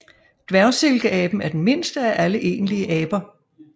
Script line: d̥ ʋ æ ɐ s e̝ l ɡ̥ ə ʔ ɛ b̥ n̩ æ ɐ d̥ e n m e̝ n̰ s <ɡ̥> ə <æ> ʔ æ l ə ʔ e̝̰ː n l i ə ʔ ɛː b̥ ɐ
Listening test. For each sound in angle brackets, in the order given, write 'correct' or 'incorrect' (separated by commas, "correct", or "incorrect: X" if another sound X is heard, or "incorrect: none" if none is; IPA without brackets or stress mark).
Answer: incorrect: d̥, correct